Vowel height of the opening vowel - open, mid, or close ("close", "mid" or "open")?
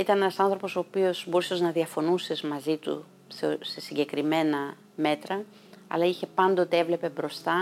close